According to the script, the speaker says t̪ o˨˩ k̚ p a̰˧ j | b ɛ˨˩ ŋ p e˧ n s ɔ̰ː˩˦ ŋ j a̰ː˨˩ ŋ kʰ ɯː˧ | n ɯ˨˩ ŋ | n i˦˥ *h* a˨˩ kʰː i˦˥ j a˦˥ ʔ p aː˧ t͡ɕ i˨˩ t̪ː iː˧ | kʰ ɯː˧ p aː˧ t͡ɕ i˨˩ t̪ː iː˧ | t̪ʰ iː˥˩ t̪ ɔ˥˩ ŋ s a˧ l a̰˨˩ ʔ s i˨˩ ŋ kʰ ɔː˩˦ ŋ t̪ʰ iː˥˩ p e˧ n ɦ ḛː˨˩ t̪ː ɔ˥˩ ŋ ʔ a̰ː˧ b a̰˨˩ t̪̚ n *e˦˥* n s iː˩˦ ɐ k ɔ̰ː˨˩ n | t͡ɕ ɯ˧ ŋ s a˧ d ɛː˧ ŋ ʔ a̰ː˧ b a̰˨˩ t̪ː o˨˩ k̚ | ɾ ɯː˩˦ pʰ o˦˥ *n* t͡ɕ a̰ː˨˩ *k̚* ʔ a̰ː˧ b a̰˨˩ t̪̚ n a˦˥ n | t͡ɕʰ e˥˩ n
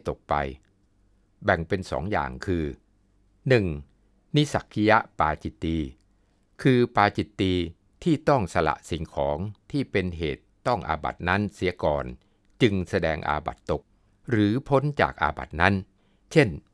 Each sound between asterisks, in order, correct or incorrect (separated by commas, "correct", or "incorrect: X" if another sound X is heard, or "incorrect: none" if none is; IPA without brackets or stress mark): incorrect: s, incorrect: a˦˥, correct, correct